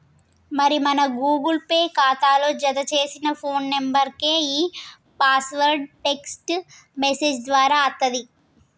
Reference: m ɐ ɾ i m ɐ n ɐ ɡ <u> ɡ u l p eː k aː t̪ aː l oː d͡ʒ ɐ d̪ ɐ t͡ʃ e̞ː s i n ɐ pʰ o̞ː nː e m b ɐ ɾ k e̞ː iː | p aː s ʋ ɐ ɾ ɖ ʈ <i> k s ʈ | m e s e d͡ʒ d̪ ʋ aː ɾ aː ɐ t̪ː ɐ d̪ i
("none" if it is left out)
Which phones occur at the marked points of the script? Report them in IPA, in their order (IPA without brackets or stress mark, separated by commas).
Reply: uː, e